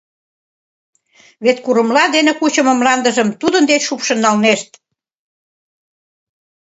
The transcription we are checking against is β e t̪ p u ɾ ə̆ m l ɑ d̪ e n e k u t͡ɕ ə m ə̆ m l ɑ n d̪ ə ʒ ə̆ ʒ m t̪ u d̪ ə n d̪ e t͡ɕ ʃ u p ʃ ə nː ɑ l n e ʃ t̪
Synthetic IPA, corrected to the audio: β e t̪ k u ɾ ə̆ m l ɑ d̪ e n e k u t͡ɕ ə m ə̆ m l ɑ n d̪ ə ʒ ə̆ m t̪ u d̪ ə n d̪ e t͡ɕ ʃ u p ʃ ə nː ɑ l n e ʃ t̪